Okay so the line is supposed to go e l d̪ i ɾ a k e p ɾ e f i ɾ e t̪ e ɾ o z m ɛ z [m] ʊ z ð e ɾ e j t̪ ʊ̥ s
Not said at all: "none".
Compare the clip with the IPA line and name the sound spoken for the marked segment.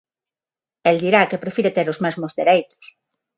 m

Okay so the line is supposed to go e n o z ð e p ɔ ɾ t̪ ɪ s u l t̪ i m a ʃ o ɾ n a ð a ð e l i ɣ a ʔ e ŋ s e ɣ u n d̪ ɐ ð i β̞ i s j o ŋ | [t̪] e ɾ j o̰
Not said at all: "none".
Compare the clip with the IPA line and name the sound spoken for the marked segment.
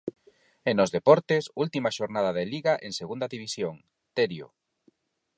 t̪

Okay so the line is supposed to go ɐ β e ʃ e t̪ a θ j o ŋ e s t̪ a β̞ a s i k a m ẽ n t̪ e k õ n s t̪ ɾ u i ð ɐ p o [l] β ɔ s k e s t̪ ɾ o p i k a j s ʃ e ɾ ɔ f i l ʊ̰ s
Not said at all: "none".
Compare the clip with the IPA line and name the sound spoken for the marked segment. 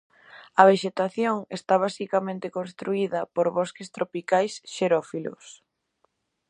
ɾ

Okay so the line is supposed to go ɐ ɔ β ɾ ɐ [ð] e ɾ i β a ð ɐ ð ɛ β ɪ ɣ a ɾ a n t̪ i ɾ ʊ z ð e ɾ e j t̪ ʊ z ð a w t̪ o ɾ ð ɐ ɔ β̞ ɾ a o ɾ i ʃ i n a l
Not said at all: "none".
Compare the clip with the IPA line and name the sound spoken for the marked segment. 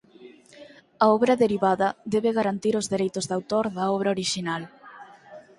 ð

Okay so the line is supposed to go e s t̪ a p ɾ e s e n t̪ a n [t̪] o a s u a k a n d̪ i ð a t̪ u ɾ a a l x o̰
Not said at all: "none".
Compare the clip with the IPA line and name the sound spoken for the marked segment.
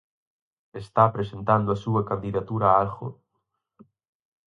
d̪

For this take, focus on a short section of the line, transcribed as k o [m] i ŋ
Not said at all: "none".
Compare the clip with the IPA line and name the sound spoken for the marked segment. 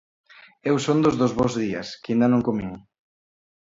m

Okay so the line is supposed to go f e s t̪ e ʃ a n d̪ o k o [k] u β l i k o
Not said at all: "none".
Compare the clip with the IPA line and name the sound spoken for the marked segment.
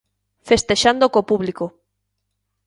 p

